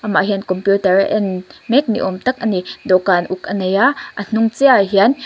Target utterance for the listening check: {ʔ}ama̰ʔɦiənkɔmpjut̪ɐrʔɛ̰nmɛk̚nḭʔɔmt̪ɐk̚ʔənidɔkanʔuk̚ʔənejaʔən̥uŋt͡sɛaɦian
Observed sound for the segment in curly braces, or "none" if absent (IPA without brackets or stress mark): ʔ